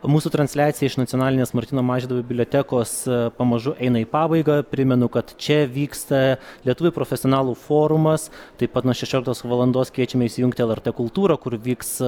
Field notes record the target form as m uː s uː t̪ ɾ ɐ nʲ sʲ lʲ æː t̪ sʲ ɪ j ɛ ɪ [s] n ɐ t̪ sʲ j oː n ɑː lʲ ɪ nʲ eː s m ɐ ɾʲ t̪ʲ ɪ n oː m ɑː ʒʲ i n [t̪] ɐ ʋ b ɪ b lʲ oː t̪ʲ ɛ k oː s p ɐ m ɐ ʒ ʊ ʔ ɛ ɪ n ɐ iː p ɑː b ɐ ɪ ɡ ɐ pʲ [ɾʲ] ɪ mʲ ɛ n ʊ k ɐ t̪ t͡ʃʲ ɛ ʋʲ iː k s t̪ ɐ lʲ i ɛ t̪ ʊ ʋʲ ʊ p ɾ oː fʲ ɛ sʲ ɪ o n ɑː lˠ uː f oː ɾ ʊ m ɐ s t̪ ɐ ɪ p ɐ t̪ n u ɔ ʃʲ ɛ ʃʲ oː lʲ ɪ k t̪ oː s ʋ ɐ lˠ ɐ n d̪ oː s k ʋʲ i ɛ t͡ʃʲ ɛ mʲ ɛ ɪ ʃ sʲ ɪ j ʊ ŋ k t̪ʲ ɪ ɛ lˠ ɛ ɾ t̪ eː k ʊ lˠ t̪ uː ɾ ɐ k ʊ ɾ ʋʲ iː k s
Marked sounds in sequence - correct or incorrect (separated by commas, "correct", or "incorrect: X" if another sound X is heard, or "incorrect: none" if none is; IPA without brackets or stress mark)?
incorrect: ʃ, incorrect: d̪, correct